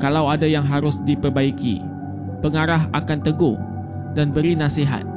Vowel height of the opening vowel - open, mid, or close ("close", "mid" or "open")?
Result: open